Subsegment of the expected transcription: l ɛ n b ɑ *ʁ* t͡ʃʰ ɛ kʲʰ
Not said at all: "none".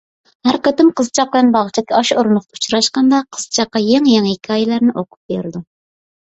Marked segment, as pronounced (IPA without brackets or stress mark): ʁ